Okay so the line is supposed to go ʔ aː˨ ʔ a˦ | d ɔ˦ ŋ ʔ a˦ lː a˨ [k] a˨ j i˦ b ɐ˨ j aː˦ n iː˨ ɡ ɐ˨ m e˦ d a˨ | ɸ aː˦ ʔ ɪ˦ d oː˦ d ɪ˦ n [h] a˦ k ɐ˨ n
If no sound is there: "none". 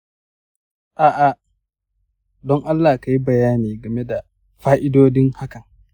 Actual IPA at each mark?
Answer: k, h

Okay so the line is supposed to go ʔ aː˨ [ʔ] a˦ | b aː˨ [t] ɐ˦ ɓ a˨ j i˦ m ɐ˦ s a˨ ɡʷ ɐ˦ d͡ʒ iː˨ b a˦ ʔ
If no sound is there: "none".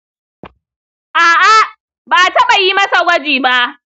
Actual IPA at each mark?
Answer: ʔ, t

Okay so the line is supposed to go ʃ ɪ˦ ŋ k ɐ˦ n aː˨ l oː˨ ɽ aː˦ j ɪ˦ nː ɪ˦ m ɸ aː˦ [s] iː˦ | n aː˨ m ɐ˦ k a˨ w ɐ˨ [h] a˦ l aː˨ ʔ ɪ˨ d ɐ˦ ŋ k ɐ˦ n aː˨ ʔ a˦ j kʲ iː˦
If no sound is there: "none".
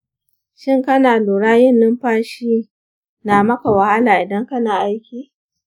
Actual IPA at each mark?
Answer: ʃ, h

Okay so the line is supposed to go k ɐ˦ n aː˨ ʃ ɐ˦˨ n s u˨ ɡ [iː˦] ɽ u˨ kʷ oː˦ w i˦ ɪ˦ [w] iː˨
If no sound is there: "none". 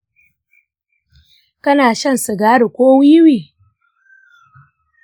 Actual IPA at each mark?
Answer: aː˦, w

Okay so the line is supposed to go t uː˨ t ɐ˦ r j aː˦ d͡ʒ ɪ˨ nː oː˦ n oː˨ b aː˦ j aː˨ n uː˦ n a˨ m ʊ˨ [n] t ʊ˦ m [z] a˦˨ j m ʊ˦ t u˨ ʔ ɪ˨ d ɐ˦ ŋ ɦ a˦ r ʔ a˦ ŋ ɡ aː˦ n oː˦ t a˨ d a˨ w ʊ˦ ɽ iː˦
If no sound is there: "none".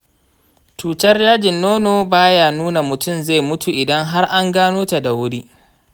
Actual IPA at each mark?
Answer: none, z

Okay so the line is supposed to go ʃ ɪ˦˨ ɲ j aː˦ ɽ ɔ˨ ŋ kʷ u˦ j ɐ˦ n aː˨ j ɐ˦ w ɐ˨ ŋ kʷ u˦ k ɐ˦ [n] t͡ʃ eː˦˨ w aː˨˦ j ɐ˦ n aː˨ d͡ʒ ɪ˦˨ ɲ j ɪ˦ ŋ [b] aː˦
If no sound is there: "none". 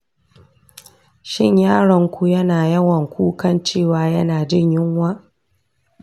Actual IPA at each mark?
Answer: n, w

